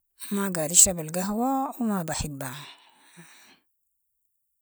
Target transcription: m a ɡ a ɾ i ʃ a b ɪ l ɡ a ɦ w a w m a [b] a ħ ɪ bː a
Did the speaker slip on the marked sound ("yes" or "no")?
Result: no